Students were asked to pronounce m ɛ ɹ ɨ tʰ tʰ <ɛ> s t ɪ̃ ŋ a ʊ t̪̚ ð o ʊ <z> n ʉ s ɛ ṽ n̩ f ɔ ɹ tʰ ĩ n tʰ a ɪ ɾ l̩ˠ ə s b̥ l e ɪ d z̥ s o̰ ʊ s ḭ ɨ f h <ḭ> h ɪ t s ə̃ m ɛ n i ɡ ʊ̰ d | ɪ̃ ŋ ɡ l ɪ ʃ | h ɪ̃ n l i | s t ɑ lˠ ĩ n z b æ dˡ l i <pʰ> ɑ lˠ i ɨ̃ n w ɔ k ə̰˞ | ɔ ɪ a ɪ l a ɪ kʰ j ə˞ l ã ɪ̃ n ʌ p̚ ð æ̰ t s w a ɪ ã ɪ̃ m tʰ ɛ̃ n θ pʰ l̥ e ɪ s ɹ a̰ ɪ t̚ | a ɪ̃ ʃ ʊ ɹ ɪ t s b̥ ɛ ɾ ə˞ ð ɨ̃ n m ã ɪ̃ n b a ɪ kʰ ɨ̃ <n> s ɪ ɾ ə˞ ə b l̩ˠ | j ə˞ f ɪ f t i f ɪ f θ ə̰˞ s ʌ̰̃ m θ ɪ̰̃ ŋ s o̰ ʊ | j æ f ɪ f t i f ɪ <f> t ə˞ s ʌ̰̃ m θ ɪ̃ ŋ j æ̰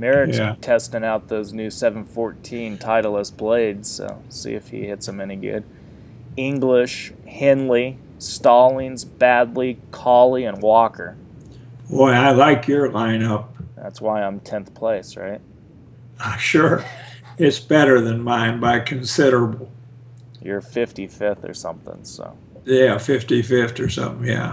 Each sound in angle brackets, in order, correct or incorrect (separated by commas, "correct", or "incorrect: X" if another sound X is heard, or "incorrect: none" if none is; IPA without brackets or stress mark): correct, correct, correct, incorrect: kʰ, correct, correct